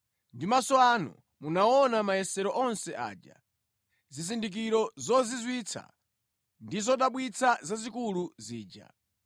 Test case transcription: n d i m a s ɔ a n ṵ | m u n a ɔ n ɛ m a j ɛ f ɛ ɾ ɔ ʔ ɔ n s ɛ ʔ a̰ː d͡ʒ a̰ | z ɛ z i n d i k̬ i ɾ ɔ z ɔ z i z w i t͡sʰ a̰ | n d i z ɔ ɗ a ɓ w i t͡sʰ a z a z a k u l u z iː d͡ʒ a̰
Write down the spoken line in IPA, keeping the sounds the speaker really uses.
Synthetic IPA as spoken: n d i m a s ɔ a n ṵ | m u n a ɔ n a m a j ɛ s ɛ ɾ ɔ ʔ ɔ n s ɛ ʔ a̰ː d͡ʒ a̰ | z i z i n d i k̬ i ɾ ɔ z ɔ z i z w i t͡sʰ a̰ | n d i z ɔ ɗ a ɓ w i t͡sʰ a z a z i k u l u z iː d͡ʒ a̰